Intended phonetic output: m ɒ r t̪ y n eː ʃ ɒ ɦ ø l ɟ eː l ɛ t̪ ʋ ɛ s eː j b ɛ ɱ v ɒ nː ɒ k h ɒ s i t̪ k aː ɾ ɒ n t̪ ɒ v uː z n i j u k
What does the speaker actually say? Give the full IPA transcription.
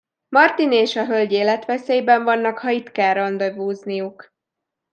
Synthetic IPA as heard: m ɒ r t̪ i n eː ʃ ɒ ɦ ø l ɟ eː l ɛ t̪ ʋ ɛ s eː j b ɛ ɱ v ɒ nː ɒ k h ɒ i t̪ k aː ɾ ɒ n d̪ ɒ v uː z n i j u k